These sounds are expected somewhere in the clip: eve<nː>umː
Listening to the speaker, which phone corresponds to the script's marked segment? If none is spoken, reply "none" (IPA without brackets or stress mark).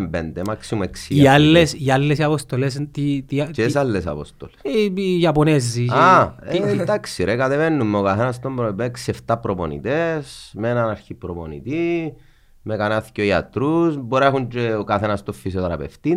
nː